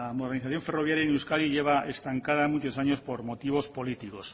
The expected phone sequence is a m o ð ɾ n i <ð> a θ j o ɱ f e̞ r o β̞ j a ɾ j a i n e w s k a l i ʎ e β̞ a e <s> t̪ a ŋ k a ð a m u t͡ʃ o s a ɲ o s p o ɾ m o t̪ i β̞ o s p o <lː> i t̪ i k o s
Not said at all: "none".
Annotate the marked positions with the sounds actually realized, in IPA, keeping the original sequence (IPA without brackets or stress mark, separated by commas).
θ, s, l